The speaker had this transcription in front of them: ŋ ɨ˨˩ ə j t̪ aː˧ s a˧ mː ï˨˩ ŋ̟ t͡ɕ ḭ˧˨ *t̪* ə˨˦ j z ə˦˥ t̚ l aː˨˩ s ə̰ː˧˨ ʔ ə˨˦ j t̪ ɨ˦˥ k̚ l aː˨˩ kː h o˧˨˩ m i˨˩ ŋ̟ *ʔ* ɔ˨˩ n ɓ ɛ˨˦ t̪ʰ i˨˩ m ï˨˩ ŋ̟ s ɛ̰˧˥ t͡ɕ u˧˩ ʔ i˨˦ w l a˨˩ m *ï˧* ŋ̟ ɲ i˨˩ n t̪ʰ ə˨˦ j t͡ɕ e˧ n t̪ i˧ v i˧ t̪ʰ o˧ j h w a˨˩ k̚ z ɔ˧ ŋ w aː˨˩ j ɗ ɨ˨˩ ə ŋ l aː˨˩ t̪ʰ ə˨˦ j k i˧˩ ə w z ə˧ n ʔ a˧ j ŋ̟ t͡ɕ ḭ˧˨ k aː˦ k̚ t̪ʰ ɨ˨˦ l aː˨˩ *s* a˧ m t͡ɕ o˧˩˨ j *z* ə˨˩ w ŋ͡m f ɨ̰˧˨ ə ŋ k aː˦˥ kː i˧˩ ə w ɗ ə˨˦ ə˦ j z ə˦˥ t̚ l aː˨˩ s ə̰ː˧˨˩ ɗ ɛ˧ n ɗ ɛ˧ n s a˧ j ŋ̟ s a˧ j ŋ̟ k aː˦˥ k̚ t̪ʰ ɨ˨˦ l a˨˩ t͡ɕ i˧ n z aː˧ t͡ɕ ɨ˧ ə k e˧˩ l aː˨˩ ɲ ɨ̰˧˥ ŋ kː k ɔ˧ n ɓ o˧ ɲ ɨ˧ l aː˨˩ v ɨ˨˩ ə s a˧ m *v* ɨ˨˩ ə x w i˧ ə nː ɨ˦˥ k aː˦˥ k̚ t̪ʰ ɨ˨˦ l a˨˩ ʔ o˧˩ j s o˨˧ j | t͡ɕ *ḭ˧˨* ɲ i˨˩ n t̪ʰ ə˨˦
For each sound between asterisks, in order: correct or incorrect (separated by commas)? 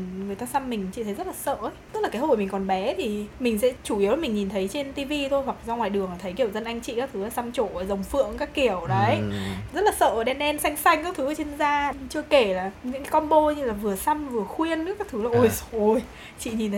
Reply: incorrect, incorrect, incorrect, correct, correct, correct, correct